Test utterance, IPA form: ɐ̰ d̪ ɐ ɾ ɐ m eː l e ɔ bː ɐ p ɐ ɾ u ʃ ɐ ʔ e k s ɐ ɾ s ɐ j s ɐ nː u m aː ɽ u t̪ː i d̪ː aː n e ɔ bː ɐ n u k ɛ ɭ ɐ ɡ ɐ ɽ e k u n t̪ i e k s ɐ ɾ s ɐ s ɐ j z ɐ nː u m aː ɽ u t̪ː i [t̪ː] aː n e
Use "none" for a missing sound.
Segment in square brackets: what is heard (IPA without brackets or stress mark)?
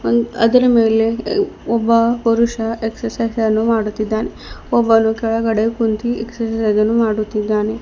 d̪ː